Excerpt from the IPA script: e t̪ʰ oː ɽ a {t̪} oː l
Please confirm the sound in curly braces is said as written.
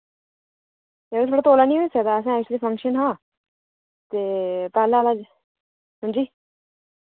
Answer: yes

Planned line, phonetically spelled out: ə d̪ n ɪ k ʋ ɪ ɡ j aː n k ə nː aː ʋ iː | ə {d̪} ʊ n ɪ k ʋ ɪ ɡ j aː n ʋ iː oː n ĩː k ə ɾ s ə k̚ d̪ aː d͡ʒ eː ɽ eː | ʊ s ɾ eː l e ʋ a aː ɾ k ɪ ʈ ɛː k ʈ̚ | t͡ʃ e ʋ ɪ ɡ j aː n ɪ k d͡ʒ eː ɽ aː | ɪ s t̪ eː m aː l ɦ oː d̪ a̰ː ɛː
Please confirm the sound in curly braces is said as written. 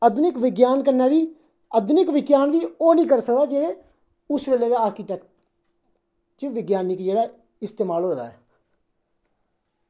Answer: yes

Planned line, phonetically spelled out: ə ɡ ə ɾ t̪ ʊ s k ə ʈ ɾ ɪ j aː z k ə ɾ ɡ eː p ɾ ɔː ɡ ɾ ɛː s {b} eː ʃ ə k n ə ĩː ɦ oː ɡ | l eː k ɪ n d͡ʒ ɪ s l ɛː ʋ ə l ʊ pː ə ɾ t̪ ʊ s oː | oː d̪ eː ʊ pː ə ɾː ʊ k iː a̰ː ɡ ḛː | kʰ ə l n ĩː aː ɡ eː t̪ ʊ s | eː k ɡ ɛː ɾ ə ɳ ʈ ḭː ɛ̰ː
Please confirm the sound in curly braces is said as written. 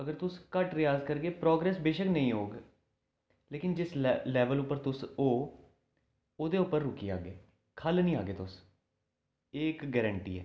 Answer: yes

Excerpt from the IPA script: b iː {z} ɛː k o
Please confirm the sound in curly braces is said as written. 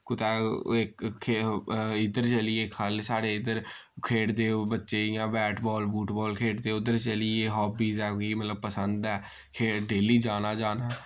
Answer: yes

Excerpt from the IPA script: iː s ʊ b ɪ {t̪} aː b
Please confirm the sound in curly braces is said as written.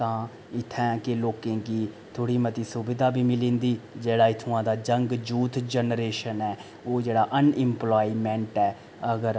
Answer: no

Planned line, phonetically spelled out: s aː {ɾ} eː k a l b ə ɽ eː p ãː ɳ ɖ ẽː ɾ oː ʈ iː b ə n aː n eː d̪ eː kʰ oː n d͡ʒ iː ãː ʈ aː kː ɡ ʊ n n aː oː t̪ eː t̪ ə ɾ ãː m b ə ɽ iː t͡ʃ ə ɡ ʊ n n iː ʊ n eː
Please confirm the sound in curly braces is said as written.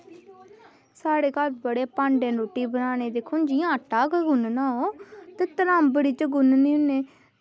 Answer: no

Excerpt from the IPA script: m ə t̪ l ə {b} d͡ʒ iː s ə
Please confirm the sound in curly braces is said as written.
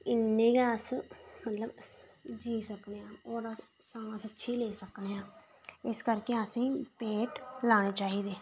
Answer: yes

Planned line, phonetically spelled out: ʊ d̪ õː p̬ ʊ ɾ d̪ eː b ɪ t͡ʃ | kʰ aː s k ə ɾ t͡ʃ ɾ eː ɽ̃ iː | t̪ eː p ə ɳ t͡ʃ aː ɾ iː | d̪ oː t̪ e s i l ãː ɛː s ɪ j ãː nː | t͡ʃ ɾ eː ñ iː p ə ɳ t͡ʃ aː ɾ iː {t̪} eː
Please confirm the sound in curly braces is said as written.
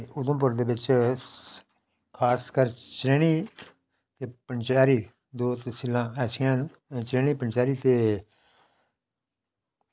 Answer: yes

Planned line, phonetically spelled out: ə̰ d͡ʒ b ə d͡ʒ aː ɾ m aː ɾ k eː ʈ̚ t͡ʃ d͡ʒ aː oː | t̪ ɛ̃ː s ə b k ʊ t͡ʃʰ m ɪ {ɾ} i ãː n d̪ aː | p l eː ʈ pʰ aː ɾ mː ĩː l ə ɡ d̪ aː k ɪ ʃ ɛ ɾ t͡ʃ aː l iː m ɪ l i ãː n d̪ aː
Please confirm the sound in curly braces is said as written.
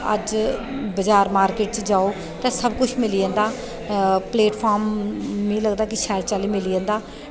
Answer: no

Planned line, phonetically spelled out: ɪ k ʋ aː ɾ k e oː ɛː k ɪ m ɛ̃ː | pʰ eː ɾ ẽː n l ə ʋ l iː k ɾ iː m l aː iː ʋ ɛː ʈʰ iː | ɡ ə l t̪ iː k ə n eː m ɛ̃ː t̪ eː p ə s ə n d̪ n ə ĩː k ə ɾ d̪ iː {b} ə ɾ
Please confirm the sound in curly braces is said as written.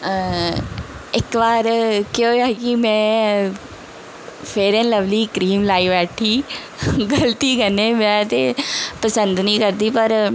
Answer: no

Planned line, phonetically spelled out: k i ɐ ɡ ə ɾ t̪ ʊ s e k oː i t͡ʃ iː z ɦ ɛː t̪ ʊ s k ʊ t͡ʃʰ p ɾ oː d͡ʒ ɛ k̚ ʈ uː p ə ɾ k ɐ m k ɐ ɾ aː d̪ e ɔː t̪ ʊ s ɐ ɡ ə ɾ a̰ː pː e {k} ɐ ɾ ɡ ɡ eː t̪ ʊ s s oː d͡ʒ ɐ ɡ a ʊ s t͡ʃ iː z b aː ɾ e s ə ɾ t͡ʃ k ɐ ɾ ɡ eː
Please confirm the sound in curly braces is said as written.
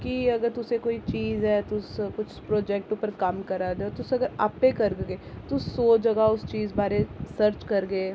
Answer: yes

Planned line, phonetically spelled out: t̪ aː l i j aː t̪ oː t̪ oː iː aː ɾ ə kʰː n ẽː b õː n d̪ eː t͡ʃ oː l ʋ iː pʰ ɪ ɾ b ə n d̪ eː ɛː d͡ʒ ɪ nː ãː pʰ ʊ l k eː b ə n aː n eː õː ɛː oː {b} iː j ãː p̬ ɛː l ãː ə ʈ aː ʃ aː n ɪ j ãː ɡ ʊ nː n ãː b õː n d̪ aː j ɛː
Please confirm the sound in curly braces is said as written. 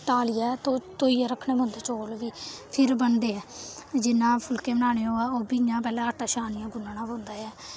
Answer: yes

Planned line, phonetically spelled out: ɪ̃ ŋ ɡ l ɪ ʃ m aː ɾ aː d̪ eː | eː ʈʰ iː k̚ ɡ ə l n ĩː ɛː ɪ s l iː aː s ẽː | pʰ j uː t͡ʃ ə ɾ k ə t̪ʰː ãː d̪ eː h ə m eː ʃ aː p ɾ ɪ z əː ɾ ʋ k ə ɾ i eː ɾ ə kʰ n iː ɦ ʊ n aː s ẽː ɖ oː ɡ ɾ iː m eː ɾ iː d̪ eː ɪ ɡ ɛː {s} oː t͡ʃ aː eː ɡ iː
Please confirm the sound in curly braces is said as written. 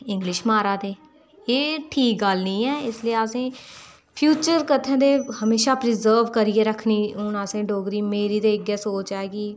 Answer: yes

